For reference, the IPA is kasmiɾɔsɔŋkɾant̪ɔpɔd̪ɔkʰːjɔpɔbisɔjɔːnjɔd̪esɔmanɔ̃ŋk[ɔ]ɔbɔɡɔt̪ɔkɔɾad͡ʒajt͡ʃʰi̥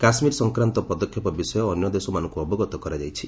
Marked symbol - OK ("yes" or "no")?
no